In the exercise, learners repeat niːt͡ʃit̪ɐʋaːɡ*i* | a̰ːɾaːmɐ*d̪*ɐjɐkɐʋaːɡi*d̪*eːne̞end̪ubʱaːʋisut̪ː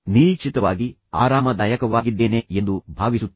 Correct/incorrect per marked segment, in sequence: correct, correct, incorrect

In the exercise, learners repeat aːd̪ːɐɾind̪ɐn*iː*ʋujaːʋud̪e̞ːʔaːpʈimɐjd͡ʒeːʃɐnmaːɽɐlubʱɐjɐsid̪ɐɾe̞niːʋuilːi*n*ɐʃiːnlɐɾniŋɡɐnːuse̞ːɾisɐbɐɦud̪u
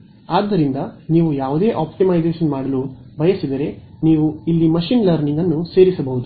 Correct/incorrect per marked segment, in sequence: correct, incorrect

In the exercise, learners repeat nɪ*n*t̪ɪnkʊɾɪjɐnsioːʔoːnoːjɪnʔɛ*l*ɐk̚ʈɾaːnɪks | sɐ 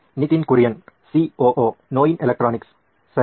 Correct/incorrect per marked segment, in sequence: incorrect, correct

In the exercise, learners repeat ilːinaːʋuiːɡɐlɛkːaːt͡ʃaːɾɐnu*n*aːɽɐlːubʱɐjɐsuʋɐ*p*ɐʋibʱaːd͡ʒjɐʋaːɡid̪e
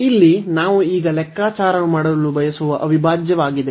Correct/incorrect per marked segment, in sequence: incorrect, incorrect

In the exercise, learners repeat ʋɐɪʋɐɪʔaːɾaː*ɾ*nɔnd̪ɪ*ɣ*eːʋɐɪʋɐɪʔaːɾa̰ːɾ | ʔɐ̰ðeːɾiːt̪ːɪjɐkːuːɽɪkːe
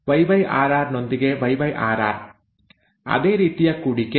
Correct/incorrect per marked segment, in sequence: correct, correct

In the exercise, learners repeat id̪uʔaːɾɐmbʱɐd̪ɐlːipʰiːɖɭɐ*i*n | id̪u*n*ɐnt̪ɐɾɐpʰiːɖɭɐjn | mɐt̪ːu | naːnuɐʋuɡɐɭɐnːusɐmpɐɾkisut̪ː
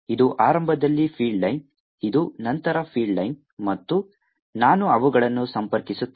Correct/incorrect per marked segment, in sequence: incorrect, correct

